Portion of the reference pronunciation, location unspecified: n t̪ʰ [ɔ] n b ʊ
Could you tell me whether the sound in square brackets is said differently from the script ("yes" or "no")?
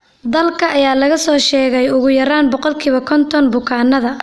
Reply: no